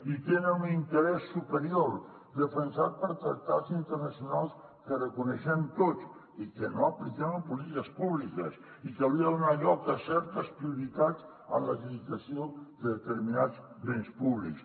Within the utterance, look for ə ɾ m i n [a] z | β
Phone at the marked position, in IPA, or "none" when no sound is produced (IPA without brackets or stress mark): a